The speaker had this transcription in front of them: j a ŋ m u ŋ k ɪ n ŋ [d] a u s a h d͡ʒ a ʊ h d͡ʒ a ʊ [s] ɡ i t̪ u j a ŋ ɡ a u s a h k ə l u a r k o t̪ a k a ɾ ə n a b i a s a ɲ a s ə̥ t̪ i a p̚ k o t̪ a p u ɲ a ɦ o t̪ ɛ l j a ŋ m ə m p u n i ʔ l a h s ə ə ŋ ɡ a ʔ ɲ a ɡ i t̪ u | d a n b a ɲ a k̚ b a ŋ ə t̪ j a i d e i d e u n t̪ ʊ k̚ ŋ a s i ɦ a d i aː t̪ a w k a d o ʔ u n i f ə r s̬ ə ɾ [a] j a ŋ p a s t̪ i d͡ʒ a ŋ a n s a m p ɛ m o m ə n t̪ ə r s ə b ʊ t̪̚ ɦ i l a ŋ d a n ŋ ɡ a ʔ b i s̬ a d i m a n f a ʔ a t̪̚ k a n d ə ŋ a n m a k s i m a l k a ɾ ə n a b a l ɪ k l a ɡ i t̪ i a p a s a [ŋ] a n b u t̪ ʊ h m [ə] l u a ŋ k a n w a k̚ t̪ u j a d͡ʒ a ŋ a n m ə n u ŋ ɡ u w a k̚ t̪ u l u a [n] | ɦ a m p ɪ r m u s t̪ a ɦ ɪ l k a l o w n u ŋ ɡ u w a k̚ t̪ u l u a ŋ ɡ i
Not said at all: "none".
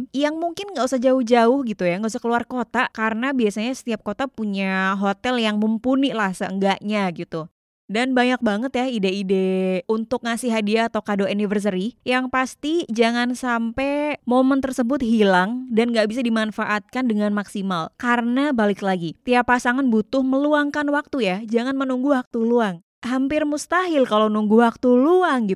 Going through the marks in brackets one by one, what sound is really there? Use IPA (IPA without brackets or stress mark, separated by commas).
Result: ɡ, h, i, ŋ, ə, ŋ